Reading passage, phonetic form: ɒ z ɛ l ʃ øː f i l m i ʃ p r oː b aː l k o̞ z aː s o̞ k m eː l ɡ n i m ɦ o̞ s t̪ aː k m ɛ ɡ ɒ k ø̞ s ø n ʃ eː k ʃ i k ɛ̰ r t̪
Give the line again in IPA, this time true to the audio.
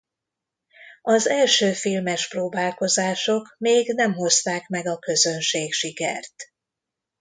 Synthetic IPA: ɒ z ɛ l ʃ øː f i l m ɛ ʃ p r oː b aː l k o̞ z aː ʃ o̞ k m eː ɡ n ɛ m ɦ o̞ s t̪ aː k m ɛ ɡ ɒ k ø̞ z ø n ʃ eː k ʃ i k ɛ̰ r t̪